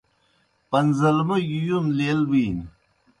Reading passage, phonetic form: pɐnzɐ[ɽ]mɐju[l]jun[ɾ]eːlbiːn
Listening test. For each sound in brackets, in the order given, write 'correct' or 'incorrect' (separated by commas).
incorrect, incorrect, incorrect